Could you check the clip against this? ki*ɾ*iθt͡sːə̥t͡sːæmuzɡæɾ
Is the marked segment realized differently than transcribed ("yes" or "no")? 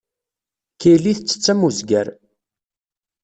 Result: yes